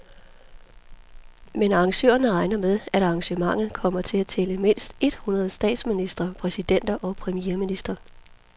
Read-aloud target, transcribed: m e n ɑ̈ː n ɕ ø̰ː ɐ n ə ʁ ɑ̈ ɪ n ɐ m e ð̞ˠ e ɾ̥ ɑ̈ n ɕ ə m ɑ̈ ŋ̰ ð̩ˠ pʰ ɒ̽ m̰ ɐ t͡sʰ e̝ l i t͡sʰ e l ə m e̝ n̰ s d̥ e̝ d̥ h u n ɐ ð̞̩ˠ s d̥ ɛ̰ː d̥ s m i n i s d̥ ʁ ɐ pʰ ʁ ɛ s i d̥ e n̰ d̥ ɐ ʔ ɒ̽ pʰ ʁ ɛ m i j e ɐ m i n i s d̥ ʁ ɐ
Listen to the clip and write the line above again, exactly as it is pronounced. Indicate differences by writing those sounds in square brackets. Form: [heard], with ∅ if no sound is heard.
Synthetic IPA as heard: m e n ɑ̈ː [ŋ] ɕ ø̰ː ɐ n ə ʁ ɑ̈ ɪ n ɐ m e ð̞ˠ [æ] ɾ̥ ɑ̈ [ŋ] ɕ ə m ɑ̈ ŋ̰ ð̩ˠ [kʰ] ɒ̽ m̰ ɐ t͡sʰ e̝ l [æ] t͡sʰ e l ə m e̝ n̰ s d̥ e̝ d̥ h u n ɐ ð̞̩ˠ s d̥ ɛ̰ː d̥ s m i n i s d̥ ʁ ɐ pʰ ʁ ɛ s i d̥ e n̰ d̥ ɐ ʔ ɒ̽ pʰ ʁ ɛ m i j e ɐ m i n i s d̥ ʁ ɐ

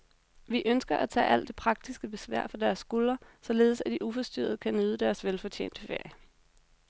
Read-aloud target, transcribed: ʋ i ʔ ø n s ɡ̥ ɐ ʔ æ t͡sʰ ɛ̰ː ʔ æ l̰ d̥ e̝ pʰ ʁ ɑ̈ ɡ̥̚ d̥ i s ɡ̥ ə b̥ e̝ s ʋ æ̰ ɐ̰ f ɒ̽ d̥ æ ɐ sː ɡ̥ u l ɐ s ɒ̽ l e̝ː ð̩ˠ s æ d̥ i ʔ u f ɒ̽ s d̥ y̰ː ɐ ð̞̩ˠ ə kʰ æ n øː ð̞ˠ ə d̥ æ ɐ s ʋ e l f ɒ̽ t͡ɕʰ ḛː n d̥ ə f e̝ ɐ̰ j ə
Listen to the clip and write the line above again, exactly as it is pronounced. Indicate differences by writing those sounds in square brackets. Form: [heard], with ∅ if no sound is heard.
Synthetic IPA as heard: ʋ i ʔ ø n s ɡ̥ ɐ ʔ æ t͡sʰ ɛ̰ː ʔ æ l̰ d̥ e̝ pʰ ʁ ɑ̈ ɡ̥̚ d̥ i s ɡ̥ ə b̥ e̝ s ʋ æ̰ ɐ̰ f ɒ̽ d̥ æ ɐ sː ɡ̥ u l ɐ s ɒ̽ l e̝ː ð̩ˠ s æ d̥ i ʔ u f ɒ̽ s d̥ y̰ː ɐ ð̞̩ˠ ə kʰ æ n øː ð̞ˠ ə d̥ æ ɐ s ʋ e l f ɒ̽ t͡ɕʰ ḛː n d̥ ə f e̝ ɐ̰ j ə

